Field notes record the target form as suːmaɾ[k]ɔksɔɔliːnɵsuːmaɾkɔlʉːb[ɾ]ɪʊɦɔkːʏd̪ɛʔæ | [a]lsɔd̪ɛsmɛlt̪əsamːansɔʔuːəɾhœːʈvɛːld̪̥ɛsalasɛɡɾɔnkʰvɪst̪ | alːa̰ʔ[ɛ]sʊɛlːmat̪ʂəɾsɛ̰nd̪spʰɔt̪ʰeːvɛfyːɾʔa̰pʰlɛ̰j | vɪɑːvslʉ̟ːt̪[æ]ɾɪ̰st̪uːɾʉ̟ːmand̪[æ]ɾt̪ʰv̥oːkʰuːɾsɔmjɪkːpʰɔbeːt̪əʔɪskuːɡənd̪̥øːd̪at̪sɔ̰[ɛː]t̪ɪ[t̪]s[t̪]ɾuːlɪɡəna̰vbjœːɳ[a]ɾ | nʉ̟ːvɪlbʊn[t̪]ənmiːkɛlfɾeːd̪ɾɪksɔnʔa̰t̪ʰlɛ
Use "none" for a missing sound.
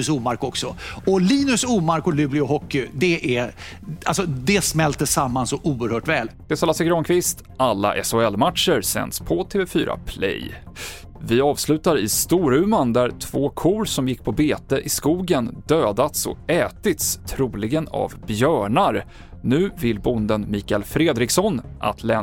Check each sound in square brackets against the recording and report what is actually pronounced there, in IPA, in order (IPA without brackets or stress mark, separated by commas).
k, l, a, ɛ, a, æ, ɛː, t̪, t̪ʰ, a, d̪